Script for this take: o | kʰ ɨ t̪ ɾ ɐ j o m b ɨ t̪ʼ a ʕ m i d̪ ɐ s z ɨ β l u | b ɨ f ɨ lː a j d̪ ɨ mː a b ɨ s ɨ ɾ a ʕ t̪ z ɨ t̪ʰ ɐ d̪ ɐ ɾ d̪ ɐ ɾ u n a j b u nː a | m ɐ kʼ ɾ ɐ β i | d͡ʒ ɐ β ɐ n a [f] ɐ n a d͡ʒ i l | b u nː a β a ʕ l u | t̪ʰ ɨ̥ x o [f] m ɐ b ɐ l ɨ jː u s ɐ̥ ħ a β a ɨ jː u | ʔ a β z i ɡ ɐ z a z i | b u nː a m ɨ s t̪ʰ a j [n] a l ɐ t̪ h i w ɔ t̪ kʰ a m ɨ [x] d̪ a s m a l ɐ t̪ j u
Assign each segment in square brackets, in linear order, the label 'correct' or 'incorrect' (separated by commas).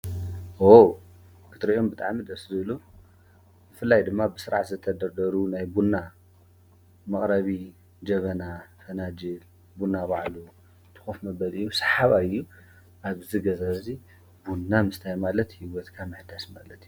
correct, correct, incorrect, incorrect